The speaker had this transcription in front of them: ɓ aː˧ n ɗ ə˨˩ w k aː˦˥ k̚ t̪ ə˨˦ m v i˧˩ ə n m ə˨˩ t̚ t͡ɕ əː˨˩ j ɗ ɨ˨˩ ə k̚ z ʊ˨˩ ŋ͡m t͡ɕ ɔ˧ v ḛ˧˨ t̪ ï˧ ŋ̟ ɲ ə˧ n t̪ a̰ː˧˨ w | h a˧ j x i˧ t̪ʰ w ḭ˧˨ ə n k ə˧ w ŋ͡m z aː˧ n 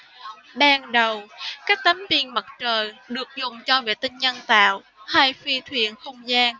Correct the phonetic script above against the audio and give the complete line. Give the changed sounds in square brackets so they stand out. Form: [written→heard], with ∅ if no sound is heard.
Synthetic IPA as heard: ɓ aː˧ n ɗ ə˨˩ w k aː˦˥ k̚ t̪ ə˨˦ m v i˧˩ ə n m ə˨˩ t̚ t͡ɕ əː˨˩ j ɗ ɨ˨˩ ə k̚ z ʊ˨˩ ŋ͡m t͡ɕ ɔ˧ v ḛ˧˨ t̪ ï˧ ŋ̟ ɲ ə˧ n t̪ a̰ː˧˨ w | h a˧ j [x→f] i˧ t̪ʰ w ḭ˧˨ ə n [k→x] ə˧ w ŋ͡m z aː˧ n

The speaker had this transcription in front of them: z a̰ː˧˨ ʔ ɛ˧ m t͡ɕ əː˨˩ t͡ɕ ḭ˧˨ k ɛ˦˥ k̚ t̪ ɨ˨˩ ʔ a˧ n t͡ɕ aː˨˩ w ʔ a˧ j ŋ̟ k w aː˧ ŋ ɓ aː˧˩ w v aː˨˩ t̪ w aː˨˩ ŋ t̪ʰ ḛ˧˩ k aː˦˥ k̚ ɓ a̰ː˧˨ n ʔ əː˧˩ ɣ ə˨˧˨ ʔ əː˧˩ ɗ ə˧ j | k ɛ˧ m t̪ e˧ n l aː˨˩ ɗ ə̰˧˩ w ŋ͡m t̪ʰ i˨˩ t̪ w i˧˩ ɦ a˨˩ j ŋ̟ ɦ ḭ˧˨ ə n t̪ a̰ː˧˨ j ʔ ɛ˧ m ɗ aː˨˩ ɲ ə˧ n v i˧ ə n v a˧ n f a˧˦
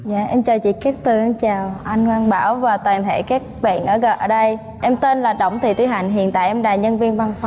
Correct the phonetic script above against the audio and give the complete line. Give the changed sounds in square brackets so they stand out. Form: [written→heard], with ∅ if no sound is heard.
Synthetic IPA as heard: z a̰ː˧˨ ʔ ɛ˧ m t͡ɕ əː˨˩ t͡ɕ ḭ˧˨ k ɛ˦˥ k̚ t̪ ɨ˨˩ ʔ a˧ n t͡ɕ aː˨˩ w ʔ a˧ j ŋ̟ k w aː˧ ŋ ɓ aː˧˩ w v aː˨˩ t̪ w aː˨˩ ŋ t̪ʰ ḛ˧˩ k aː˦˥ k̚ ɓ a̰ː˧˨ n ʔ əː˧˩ ɣ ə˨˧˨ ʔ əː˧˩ ɗ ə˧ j | [k→ʔ] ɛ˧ m t̪ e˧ n l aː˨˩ ɗ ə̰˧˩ w ŋ͡m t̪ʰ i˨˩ t̪ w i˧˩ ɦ a˨˩ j ŋ̟ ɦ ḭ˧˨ ə n t̪ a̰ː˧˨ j ʔ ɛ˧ m ɗ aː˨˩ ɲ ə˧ n v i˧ ə n v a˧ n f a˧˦

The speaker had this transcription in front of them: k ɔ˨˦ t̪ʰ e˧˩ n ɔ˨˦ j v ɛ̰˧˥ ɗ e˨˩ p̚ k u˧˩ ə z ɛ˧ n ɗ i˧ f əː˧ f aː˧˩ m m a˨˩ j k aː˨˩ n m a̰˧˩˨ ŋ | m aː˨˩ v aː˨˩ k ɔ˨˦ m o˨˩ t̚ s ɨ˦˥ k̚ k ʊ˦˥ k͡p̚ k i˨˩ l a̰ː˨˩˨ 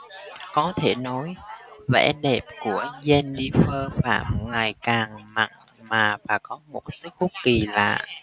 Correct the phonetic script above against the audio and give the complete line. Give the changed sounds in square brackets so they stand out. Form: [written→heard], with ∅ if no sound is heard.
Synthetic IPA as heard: k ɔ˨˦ t̪ʰ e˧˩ n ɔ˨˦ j v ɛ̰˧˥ ɗ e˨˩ p̚ k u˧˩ ə z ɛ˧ n ɗ i˧ f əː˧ f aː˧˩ m [m→ŋ] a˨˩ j k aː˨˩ [n→ŋ] m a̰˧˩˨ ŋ | m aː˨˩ v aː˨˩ k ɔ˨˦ m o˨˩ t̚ s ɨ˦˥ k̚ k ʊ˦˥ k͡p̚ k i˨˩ l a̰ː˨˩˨

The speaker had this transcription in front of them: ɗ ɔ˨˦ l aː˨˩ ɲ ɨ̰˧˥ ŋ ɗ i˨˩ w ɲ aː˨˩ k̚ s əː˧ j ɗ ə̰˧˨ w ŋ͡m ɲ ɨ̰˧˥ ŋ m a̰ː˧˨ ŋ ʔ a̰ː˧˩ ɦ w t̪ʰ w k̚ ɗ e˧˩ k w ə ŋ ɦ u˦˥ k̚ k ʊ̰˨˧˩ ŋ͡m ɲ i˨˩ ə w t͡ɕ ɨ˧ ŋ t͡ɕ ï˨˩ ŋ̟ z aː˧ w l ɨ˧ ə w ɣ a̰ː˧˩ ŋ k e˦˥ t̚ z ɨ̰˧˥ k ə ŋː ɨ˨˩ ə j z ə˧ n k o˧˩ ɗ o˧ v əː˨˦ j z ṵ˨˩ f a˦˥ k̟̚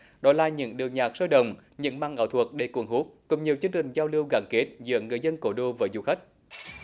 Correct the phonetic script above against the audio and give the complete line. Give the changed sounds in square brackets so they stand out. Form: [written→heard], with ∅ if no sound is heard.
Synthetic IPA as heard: ɗ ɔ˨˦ l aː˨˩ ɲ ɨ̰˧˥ ŋ ɗ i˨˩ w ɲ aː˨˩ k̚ s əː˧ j ɗ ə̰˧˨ w ŋ͡m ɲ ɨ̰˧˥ ŋ m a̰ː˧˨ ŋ ʔ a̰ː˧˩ [ɦ→∅] w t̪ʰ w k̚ ɗ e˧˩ k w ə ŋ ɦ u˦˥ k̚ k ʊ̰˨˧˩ ŋ͡m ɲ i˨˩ ə w t͡ɕ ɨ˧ ŋ t͡ɕ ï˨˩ ŋ̟ z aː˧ w l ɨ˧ ə w ɣ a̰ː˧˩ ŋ k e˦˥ t̚ z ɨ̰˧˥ [k→∅] ə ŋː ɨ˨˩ ə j z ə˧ n k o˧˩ ɗ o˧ v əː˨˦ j z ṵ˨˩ [f→x] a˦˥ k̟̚

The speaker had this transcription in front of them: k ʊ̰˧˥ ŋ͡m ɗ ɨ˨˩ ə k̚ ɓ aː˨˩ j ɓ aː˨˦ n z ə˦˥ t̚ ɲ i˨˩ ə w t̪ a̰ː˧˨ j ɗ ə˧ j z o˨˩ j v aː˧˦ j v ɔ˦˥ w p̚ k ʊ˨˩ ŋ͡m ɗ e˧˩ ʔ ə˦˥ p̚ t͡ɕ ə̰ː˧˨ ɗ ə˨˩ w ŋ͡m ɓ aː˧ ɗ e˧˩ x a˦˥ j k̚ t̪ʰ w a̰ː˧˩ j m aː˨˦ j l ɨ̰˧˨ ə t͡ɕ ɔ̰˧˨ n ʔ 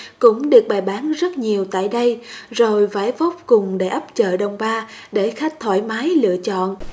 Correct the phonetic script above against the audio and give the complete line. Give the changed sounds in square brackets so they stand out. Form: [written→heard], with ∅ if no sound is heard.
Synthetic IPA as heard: k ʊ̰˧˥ ŋ͡m ɗ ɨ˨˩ ə k̚ ɓ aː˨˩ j ɓ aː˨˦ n z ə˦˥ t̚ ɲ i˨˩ ə w t̪ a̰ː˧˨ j ɗ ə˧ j z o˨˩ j v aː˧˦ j v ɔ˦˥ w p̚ k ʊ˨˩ ŋ͡m ɗ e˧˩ ʔ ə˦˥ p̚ t͡ɕ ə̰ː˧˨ ɗ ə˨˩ w ŋ͡m ɓ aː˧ ɗ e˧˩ x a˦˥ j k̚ t̪ʰ w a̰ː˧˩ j m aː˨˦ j l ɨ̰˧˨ ə t͡ɕ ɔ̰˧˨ n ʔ

